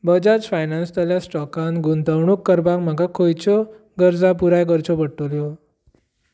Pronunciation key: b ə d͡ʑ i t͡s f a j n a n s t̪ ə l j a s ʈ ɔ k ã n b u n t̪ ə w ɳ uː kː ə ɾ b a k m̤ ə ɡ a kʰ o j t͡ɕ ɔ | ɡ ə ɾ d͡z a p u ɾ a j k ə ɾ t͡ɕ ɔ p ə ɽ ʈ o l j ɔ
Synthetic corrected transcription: b ə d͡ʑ a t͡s f a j n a n s t̪ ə l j a s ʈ ɔ k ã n ɡ u n t̪ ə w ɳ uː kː ə ɾ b a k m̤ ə ɡ a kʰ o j t͡ɕ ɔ | ɡ ə ɾ d͡z a p u ɾ a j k ə ɾ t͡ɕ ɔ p ə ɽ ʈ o l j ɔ